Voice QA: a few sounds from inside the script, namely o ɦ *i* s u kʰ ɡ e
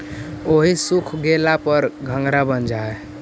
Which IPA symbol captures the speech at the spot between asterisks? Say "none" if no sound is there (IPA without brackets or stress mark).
i